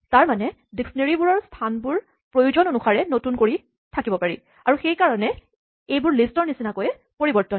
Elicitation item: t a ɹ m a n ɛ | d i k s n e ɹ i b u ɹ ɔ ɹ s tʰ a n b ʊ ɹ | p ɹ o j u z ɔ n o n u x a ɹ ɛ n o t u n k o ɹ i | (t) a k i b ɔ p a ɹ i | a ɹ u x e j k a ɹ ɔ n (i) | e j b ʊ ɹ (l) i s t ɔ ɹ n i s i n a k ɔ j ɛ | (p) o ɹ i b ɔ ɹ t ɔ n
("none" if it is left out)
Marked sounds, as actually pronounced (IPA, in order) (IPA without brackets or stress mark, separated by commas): tʰ, ɛ, l, p